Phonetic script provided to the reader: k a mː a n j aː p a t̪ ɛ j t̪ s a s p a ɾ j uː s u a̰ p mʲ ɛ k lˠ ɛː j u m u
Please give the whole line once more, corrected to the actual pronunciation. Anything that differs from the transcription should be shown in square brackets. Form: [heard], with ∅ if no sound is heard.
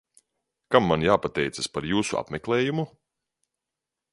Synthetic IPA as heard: k a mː a n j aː p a t̪ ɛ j t̪ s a s p a ɾ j uː s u a̰ p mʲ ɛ k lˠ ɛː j u m u